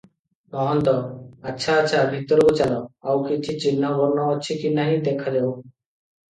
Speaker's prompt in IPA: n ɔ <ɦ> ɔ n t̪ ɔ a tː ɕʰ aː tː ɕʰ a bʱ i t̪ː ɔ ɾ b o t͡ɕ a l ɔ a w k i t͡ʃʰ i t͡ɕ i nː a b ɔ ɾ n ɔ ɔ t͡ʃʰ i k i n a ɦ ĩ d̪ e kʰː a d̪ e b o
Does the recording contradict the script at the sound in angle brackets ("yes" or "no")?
no